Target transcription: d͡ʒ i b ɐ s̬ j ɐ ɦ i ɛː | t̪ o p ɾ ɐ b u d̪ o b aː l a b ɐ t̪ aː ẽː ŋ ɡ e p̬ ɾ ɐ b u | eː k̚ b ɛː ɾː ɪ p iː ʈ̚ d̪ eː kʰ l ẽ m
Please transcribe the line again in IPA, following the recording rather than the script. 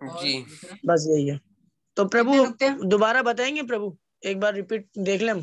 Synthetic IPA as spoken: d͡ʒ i b ɐ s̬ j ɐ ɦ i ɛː | t̪ o p ɾ ɐ b u d̪ o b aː ɾ a b ɐ t̪ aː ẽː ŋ ɡ e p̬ ɾ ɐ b u | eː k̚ b aː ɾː ɪ p iː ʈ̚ d̪ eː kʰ l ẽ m